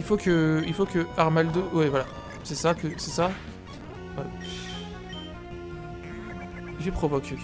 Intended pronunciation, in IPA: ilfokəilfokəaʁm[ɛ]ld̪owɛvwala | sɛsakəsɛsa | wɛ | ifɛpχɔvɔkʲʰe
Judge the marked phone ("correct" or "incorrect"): incorrect